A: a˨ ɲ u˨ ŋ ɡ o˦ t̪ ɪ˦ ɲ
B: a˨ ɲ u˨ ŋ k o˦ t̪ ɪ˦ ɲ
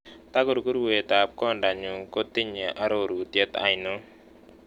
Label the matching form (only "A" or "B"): B